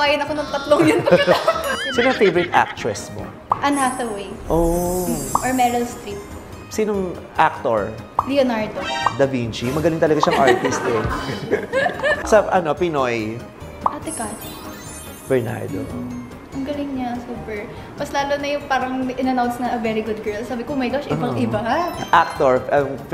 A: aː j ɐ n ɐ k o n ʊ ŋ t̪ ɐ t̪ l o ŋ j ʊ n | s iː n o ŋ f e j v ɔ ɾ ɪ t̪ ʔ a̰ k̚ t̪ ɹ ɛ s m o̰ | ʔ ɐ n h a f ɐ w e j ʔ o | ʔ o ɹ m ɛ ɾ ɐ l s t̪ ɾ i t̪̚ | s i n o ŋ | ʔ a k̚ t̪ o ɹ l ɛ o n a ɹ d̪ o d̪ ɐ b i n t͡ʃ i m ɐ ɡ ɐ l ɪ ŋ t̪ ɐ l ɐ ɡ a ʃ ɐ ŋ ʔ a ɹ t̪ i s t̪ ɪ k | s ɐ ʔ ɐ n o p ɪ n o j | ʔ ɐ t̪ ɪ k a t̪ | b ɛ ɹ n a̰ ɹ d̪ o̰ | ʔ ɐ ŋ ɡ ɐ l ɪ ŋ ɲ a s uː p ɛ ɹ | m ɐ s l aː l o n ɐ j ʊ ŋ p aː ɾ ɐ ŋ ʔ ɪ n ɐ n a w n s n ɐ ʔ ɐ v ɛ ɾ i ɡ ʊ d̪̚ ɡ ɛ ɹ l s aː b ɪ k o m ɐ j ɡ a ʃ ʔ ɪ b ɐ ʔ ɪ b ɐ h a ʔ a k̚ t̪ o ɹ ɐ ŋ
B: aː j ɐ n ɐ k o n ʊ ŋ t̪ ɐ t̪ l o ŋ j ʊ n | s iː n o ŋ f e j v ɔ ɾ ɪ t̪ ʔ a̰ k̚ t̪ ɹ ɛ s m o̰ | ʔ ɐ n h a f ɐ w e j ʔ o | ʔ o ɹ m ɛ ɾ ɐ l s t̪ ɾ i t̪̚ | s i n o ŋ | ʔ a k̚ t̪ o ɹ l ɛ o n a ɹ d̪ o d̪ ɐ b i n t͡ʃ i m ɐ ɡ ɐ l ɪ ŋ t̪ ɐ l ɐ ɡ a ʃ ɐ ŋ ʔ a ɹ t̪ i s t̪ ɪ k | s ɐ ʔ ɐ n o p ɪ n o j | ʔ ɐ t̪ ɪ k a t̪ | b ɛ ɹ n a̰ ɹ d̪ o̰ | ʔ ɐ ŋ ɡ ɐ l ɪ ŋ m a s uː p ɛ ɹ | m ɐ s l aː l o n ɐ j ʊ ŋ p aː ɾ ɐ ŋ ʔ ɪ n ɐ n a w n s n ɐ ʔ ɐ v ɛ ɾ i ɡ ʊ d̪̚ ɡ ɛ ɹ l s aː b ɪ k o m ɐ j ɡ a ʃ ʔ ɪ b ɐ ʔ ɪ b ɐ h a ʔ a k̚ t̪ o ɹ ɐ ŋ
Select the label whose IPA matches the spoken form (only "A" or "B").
A